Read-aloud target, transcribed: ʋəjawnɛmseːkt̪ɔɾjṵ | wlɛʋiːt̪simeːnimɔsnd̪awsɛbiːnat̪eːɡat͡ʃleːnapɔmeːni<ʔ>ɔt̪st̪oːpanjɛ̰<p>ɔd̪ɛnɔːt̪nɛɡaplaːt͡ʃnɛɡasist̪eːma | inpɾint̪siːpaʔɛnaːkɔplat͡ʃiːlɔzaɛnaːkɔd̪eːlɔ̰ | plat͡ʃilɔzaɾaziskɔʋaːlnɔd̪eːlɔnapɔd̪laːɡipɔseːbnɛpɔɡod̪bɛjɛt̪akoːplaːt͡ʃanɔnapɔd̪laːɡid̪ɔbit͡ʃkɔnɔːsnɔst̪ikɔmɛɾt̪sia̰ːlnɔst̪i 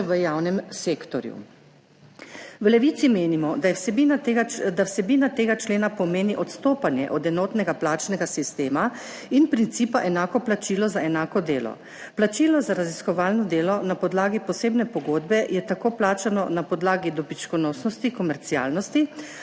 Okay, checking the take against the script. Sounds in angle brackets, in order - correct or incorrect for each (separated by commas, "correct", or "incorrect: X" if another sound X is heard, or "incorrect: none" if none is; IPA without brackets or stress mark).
correct, incorrect: ʔ